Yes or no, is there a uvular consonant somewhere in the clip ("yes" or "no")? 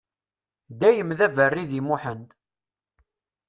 no